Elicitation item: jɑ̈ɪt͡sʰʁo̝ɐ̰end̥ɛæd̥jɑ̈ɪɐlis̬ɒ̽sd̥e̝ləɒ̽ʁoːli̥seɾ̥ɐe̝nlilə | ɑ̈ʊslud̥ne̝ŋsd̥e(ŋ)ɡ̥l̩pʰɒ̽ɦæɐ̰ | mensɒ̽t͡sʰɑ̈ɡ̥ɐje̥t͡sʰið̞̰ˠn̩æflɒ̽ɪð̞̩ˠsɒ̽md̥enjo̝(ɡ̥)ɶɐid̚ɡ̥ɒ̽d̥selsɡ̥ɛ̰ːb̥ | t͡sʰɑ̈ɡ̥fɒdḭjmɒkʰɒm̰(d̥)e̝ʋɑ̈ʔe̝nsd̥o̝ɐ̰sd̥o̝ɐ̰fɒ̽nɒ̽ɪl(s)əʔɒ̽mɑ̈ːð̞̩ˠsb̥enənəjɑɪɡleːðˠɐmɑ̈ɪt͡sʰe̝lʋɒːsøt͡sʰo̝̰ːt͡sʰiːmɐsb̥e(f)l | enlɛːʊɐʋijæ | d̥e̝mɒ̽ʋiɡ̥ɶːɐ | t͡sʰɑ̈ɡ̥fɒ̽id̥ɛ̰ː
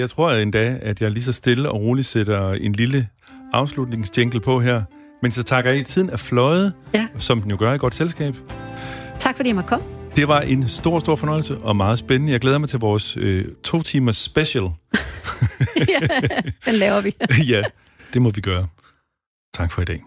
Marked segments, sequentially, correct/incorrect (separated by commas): correct, correct, correct, correct, incorrect